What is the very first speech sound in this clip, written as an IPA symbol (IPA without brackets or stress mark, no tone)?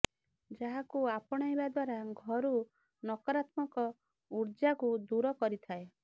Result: d͡ʒ